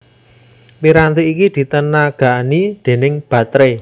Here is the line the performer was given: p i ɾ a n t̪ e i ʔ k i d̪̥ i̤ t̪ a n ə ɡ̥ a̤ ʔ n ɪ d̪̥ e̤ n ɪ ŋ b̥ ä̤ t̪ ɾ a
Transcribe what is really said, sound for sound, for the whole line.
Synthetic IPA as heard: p i ɾ a n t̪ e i k i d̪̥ i̤ t̪ ə n a ɡ̥ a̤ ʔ n i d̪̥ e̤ n ɪ ŋ b̥ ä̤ t̪ ɾ e